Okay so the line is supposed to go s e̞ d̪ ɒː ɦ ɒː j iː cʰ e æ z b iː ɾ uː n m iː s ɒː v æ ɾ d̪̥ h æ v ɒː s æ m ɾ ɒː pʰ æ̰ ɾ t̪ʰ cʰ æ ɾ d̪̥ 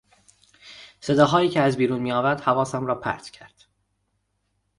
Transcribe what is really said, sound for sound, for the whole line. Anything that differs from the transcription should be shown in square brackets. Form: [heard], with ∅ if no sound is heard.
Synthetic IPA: s e̞ d̪ ɒː ɦ ɒː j iː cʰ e æ z b iː ɾ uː n m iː [∅] ɒː v æ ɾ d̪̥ h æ v ɒː s æ m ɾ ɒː pʰ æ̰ ɾ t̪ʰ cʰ æ ɾ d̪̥